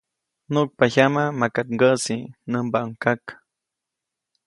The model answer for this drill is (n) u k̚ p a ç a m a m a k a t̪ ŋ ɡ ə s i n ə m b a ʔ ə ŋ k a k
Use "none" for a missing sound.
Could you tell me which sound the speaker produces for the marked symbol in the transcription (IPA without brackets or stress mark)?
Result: n